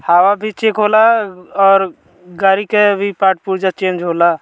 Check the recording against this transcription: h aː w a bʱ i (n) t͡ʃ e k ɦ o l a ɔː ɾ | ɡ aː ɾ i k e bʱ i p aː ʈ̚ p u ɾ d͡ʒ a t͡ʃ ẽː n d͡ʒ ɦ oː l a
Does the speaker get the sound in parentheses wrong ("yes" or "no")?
yes